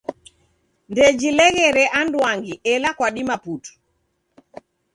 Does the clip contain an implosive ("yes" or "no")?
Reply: yes